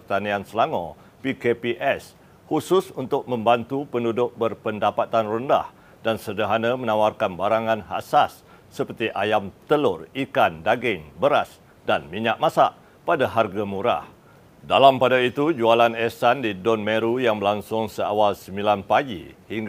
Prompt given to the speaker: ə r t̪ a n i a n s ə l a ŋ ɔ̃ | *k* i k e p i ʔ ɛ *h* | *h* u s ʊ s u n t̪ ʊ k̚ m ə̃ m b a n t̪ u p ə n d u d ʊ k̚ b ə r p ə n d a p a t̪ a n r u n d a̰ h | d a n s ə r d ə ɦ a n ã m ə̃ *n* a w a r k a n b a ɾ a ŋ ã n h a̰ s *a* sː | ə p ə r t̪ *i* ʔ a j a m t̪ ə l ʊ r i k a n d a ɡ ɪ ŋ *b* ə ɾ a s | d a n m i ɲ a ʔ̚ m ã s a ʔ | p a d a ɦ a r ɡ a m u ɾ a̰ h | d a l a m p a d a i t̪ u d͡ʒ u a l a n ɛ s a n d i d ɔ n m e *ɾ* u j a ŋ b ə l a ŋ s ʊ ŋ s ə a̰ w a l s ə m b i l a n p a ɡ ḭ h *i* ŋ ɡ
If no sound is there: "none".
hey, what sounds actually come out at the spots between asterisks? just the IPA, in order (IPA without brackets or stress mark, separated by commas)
p, s, h, n, a, i, b, ɾ, i